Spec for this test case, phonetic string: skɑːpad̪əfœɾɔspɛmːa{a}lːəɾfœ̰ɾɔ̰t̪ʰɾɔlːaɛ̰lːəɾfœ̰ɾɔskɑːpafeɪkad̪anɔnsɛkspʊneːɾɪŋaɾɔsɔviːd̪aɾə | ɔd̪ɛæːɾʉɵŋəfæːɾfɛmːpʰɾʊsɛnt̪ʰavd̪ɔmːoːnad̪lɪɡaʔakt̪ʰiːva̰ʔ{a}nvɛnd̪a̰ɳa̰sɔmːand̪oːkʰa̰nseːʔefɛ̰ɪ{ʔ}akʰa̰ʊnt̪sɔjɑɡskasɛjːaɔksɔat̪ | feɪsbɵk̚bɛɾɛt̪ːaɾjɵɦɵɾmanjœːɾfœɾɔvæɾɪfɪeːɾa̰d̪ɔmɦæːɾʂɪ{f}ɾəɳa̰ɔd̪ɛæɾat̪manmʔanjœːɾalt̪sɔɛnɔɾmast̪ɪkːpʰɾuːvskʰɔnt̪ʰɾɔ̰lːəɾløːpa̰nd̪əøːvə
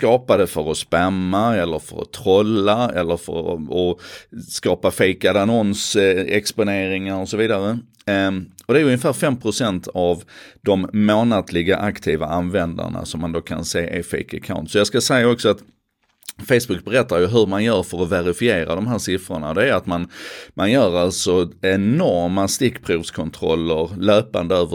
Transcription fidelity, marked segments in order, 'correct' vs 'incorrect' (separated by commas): incorrect, correct, incorrect, correct